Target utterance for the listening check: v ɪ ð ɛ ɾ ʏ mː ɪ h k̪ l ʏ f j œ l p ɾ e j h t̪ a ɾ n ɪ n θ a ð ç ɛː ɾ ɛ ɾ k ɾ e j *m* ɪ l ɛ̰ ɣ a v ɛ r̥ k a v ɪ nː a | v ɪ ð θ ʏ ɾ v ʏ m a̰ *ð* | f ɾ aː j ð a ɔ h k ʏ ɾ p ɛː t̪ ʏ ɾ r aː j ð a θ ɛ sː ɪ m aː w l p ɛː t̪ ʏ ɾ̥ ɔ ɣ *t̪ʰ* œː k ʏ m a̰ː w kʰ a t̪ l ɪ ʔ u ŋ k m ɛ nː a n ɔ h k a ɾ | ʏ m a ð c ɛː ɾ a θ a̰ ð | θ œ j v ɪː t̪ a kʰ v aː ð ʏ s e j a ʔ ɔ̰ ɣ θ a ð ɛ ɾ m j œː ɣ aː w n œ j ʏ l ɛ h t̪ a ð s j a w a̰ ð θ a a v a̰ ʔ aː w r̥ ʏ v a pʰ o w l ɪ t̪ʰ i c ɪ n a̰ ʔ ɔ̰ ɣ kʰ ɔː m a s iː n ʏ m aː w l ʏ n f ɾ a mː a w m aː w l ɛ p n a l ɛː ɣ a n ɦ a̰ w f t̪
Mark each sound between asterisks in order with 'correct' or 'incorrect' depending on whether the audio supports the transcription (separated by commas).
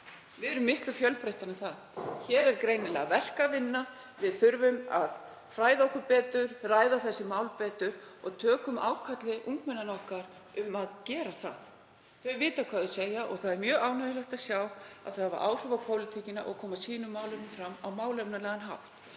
incorrect, correct, correct